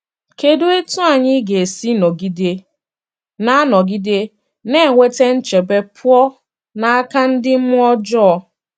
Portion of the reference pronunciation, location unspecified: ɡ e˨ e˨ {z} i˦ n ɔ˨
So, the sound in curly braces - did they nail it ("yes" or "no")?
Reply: no